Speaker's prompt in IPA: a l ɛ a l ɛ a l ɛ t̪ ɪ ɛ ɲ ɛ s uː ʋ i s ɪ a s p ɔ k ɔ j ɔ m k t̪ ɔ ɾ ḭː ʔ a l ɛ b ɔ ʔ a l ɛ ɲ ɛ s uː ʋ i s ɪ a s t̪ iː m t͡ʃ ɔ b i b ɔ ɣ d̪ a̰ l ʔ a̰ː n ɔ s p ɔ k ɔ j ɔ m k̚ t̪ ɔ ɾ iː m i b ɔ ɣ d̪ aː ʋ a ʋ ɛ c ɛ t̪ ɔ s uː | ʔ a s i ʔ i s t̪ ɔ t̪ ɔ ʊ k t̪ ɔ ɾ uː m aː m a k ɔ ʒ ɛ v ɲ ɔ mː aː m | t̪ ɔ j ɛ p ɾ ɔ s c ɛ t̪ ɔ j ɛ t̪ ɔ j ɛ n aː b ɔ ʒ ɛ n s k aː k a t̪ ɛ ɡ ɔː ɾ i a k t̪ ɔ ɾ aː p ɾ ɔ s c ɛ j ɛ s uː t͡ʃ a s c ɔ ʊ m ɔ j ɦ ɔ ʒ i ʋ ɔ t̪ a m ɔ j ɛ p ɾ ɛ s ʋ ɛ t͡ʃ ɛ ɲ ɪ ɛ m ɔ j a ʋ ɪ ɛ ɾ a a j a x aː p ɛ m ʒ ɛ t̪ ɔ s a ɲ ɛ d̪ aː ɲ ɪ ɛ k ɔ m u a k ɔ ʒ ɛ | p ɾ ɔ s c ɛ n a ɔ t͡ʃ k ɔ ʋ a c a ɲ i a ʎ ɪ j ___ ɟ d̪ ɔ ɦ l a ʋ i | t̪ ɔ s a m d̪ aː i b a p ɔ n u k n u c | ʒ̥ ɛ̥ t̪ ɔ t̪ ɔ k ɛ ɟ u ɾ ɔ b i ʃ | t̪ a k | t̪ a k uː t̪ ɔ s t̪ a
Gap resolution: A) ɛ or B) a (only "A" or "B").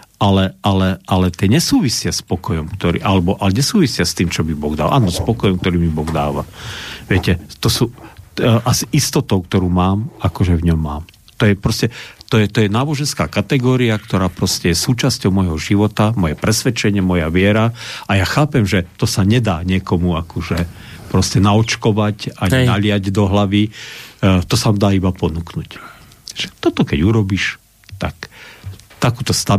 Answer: B